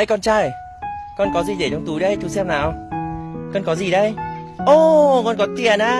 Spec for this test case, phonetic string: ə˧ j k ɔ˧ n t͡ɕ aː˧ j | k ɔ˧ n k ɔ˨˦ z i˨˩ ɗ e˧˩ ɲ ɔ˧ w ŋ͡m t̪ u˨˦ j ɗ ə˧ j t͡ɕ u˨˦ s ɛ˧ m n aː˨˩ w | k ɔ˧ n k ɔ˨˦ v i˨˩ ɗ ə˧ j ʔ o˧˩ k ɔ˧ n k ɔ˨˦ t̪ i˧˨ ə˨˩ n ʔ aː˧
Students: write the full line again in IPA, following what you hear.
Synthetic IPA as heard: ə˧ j k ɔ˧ n t͡ɕ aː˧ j | k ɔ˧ n k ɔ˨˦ z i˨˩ ɗ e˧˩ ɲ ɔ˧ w ŋ͡m t̪ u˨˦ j ɗ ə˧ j t͡ɕ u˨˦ s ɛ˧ m n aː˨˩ w | k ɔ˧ n k ɔ˨˦ z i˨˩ ɗ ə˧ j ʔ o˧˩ k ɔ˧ n k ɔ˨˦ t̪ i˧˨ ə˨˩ n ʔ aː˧